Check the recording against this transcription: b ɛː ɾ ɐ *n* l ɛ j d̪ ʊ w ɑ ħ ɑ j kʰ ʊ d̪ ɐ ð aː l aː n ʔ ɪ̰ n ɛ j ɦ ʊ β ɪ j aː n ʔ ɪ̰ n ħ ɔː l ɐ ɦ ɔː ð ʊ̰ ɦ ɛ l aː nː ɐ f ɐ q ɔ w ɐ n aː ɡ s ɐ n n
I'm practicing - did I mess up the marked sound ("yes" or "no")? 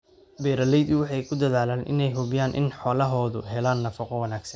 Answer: yes